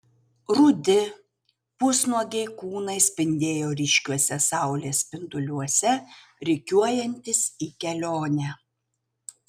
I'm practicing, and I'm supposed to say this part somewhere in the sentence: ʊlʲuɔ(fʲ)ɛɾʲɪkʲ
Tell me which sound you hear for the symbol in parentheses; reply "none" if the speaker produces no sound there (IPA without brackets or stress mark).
sʲ